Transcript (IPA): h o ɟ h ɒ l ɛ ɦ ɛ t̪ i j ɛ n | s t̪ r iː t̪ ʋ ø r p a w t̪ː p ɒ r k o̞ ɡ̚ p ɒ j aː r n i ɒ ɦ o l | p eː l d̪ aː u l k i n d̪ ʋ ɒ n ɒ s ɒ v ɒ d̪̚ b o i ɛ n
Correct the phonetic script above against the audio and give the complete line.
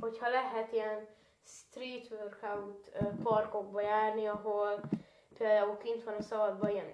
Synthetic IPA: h o c h ɒ l ɛ ɦ ɛ t̪ i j ɛ n | s t̪ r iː t̪ ʋ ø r k a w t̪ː p ɒ r k o̞ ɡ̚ b ɒ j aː r n i ɒ ɦ o l | p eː l d̪ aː u l k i n t̪ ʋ ɒ n ɒ s ɒ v ɒ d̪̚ b ɒ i ɛ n